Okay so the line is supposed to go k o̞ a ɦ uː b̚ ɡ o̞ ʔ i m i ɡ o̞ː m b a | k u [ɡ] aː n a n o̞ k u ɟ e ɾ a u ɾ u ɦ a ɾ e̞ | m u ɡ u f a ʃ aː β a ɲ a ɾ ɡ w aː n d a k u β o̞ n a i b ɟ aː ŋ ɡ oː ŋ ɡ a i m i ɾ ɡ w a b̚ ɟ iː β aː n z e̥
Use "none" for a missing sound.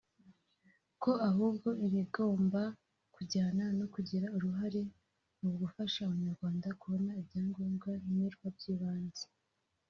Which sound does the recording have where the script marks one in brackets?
ɟ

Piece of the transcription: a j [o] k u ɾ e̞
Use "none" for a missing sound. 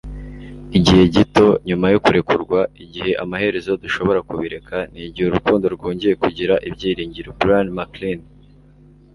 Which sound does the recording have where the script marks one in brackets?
o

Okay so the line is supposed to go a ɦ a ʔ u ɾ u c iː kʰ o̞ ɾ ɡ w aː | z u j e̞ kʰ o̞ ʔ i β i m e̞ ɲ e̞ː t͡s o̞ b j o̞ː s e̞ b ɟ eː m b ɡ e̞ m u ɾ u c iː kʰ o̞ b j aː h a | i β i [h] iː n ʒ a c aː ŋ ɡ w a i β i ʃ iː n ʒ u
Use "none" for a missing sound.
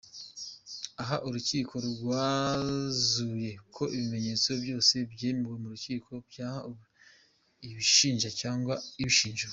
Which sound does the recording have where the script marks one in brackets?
ʃ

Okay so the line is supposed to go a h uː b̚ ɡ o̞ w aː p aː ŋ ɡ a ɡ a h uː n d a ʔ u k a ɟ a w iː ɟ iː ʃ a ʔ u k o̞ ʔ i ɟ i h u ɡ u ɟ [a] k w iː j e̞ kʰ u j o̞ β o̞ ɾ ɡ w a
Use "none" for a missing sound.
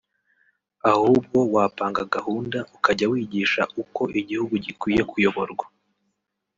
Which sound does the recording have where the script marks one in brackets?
i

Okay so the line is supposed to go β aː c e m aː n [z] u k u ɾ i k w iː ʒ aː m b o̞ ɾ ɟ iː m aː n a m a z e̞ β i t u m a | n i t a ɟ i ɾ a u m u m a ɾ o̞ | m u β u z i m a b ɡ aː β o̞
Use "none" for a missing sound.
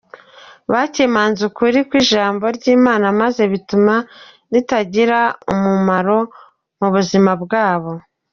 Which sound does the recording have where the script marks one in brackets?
z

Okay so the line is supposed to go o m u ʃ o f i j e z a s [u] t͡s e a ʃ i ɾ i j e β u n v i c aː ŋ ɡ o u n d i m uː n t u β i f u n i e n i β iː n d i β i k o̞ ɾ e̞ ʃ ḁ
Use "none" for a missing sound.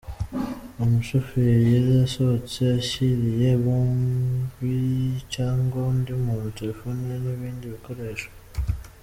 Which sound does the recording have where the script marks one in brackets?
o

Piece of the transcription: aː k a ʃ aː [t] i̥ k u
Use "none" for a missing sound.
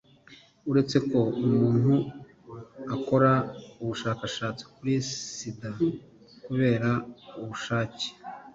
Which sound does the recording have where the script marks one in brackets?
t͡s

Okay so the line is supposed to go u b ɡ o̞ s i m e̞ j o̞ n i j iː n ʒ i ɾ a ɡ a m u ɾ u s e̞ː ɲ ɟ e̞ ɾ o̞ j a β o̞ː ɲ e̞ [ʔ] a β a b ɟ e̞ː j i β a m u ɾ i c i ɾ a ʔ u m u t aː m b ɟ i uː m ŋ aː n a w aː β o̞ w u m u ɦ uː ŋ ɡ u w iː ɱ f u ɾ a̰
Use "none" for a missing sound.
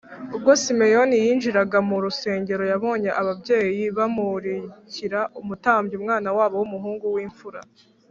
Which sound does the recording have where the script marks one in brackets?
ʔ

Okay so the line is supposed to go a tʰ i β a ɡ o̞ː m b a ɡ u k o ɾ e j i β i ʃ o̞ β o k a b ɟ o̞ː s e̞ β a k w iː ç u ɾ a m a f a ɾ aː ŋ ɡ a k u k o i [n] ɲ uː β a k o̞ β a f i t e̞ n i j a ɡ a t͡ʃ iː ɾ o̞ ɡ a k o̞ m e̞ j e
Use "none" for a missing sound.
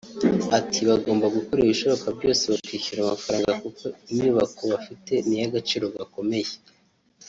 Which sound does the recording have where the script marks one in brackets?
m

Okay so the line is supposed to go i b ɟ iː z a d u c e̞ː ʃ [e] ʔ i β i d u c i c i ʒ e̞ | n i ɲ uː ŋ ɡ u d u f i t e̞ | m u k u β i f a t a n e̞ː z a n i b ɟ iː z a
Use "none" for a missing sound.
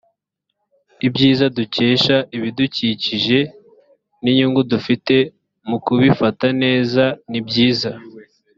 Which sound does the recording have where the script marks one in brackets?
a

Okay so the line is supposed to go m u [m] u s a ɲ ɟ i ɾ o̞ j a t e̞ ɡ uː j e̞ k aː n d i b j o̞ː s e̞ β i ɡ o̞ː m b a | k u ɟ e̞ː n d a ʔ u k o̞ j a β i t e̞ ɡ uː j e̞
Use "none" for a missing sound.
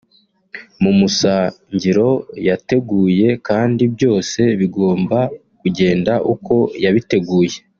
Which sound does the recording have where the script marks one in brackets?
m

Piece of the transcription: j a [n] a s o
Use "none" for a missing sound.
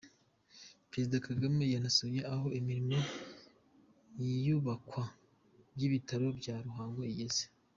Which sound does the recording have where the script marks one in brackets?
n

